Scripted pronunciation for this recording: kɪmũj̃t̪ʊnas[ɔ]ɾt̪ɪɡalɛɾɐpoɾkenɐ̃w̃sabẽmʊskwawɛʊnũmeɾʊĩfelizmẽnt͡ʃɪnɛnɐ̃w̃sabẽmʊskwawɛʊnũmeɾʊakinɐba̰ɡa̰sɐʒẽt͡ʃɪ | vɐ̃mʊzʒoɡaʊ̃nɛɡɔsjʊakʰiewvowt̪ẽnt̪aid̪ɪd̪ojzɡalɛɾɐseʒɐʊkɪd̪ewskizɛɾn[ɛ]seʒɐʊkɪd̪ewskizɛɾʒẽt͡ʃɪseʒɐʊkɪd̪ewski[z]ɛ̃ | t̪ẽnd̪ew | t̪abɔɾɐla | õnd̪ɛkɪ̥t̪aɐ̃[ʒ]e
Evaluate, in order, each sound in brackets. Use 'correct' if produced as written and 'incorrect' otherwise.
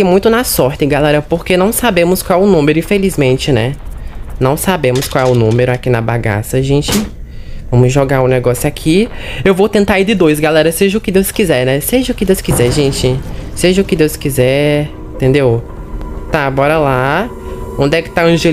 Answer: correct, correct, correct, correct

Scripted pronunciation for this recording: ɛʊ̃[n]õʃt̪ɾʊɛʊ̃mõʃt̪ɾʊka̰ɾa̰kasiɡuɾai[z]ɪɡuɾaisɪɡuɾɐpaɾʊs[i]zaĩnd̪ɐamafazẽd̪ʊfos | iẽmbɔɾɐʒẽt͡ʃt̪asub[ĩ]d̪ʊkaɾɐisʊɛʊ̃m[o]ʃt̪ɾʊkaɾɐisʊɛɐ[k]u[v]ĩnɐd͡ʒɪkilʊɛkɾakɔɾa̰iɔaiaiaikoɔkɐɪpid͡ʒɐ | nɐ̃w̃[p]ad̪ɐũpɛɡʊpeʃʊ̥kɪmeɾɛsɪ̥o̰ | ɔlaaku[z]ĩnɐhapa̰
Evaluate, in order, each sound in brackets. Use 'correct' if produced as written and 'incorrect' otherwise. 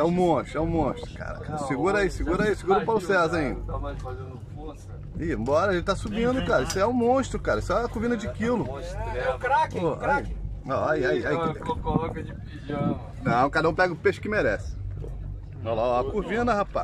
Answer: incorrect: m, incorrect: s, incorrect: ɛ, correct, incorrect: õ, correct, correct, incorrect: k, incorrect: v

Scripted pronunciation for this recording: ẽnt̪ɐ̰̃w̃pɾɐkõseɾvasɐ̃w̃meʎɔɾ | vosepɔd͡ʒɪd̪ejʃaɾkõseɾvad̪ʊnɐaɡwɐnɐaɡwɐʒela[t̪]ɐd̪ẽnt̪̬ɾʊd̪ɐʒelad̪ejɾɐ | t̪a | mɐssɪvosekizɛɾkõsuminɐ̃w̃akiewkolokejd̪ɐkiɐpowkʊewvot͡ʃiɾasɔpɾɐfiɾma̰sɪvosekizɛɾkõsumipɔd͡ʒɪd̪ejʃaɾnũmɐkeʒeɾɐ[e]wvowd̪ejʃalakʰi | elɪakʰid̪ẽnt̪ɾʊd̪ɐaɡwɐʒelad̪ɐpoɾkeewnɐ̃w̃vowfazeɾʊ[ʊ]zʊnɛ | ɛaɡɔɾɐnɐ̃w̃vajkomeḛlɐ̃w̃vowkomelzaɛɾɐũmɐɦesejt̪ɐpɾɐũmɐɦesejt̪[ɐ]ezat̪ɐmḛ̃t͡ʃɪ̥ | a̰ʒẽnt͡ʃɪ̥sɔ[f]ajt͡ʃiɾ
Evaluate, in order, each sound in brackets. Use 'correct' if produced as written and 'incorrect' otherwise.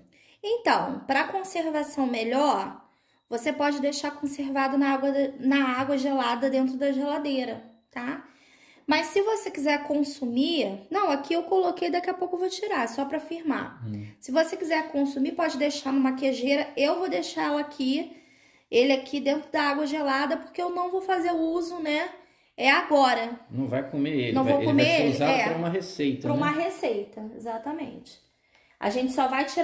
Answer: incorrect: d̪, correct, incorrect: u, correct, incorrect: v

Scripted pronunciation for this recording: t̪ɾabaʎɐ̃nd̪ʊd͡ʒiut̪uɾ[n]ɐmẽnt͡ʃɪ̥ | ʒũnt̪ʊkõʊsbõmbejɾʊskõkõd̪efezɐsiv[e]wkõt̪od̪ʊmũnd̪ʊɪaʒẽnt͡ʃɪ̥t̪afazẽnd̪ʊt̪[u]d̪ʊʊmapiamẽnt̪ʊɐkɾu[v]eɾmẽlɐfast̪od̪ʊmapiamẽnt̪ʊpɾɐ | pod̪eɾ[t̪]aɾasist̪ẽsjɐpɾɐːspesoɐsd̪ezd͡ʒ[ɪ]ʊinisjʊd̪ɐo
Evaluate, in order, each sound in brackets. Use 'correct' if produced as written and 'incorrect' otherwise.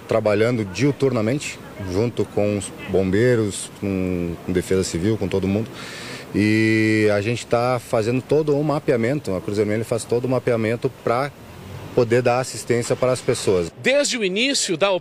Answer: correct, incorrect: i, incorrect: o, incorrect: z, incorrect: d̪, correct

